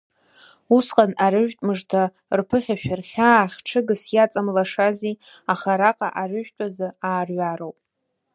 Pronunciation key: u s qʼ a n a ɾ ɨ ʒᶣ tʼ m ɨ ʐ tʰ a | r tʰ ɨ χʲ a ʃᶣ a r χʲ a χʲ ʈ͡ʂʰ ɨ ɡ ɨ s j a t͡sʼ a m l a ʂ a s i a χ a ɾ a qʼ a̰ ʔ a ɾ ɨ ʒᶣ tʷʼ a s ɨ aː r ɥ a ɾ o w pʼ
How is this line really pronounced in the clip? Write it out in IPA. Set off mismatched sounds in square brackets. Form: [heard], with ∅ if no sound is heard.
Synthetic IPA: u s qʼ a n a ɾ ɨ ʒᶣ tʼ m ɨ ʐ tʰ a | r [pʰ] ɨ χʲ a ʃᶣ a r χʲ a χʲ ʈ͡ʂʰ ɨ ɡ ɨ s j a t͡sʼ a m l a ʂ a [z] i a χ a ɾ a qʼ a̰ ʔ a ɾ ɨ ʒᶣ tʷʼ a [z] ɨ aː r ɥ a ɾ o w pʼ